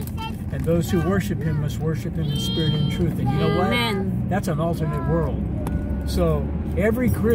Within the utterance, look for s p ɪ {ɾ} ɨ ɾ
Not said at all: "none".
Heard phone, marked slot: ɹ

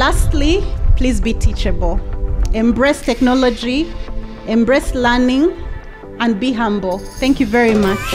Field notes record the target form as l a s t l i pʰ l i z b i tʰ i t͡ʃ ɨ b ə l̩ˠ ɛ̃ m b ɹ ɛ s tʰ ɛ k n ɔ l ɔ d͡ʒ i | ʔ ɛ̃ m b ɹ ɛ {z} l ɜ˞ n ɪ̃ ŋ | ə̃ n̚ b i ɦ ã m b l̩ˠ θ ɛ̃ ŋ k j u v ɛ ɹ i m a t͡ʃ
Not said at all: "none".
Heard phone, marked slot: s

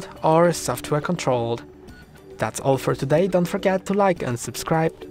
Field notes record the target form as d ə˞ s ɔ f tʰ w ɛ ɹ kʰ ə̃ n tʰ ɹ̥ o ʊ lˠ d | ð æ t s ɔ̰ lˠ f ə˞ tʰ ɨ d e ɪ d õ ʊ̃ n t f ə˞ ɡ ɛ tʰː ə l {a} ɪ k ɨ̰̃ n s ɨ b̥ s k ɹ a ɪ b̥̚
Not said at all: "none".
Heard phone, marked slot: a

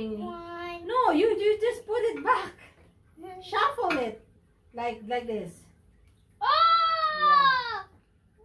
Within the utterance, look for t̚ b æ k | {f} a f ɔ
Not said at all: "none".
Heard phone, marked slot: ʃ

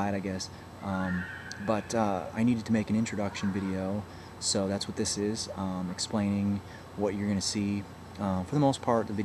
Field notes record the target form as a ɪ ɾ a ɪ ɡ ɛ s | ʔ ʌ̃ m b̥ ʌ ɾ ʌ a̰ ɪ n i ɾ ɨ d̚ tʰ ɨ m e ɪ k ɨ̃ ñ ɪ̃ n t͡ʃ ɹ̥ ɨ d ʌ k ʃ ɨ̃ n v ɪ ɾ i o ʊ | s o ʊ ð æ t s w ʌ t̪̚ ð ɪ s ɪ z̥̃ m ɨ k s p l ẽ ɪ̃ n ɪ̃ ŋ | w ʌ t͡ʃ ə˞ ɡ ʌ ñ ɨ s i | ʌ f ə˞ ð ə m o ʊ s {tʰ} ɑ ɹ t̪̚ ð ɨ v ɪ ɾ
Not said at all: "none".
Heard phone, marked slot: pʰ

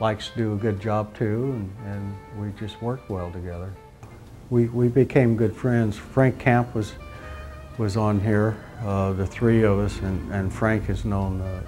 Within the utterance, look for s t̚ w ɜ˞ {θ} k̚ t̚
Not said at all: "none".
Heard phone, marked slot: none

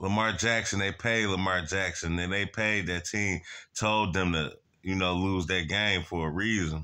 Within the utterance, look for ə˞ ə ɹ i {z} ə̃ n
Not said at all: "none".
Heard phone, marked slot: z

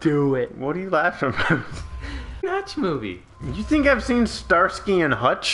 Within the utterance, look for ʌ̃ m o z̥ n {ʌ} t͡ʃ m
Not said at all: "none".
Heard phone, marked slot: ʌ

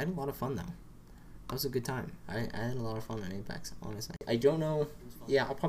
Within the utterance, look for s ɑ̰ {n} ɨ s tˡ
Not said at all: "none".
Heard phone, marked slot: n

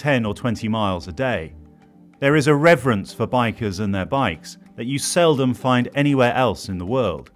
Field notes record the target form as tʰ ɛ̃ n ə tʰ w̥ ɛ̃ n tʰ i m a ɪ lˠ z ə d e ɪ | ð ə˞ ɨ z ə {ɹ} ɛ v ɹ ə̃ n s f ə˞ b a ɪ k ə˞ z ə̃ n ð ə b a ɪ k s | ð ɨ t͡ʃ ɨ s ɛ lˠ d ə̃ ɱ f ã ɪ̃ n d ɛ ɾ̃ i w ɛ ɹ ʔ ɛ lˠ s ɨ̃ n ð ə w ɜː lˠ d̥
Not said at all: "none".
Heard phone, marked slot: ɹ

